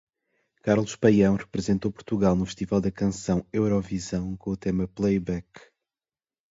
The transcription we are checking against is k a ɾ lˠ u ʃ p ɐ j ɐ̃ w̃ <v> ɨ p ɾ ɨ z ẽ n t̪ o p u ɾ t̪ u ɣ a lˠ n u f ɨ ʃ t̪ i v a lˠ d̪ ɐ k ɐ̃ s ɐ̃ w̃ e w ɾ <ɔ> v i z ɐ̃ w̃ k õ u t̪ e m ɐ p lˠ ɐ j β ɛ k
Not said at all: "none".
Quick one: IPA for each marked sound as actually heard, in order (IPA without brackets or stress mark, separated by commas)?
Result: ʁ, ɔ